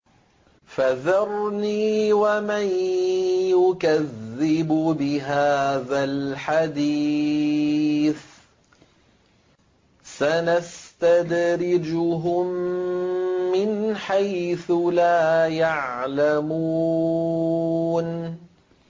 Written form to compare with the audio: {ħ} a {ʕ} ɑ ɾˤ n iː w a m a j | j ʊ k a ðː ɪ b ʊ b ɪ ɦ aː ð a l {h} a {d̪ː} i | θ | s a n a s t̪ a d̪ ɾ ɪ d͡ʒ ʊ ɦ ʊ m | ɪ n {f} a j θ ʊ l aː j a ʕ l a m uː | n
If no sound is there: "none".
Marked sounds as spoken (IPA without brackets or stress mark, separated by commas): f, ð, ħ, d̪, ħ